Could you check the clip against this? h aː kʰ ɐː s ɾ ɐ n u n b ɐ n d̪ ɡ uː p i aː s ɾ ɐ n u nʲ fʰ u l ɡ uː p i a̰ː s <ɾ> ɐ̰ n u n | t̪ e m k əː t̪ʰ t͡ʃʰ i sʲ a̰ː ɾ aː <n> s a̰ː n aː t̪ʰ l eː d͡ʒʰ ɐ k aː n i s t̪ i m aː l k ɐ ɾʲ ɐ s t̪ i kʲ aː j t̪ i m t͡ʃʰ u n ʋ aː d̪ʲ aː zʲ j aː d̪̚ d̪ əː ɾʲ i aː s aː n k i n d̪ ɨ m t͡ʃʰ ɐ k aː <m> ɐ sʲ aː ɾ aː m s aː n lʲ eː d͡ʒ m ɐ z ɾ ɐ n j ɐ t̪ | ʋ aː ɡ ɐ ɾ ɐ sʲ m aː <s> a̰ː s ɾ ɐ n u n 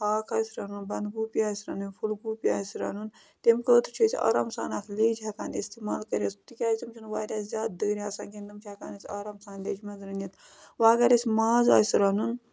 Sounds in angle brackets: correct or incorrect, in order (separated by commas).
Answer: correct, incorrect, incorrect, incorrect